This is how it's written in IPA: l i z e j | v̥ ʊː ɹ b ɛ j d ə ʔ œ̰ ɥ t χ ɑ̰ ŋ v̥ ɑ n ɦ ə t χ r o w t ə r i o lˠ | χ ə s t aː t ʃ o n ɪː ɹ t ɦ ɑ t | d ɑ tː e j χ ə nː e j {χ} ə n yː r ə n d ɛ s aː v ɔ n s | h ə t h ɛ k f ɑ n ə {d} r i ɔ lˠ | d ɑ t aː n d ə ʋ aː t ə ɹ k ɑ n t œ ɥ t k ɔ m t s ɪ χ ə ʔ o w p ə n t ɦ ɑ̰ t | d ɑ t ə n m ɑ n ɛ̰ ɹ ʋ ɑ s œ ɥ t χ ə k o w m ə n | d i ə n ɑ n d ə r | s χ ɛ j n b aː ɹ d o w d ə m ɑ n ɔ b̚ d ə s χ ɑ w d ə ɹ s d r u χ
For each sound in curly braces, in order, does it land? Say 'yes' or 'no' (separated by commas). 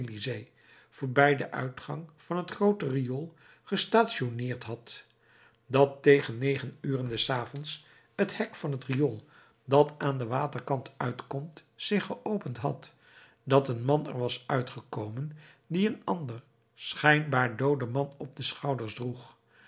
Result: yes, no